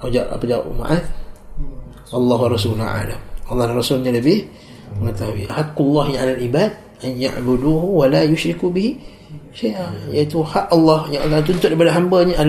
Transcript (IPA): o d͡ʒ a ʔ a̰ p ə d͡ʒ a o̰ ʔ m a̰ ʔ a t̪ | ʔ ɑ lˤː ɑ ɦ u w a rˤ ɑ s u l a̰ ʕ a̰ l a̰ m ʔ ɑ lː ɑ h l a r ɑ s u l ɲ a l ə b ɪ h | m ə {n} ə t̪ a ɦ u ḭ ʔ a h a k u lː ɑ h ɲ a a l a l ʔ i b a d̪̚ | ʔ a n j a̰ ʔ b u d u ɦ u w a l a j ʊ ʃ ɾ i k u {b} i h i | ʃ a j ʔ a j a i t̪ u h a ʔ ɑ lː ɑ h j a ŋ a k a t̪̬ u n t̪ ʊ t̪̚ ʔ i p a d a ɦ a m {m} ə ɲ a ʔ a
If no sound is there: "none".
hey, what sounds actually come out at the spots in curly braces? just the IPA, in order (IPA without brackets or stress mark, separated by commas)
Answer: ŋ, b, b